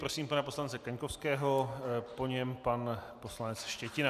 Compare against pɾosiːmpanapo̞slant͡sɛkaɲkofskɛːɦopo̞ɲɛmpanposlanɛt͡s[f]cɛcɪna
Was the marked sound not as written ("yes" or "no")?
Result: yes